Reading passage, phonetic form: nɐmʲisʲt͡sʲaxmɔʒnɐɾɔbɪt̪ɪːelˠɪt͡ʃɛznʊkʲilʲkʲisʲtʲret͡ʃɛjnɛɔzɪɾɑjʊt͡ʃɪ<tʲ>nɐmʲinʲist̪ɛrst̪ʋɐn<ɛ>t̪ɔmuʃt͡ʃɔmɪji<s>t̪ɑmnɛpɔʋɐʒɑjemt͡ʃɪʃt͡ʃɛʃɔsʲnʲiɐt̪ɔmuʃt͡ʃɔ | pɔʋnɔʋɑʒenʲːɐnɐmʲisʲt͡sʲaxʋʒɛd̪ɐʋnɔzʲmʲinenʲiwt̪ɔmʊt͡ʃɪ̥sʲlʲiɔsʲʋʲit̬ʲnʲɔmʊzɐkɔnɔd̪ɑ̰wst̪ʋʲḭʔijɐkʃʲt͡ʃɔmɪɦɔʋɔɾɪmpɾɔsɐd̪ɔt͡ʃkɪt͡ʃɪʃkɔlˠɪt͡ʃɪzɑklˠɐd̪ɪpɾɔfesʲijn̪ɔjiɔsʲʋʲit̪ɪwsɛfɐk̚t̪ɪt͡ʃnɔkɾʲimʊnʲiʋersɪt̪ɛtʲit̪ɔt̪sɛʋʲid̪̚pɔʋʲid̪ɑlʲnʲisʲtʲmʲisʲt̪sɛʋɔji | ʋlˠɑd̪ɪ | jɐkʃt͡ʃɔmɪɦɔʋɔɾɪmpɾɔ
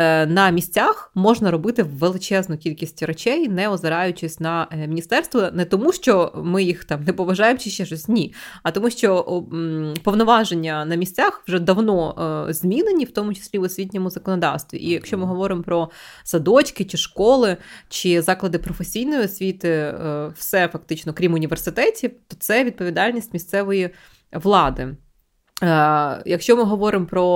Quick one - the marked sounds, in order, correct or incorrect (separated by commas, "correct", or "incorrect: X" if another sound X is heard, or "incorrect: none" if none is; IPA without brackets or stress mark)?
incorrect: sʲ, correct, incorrect: x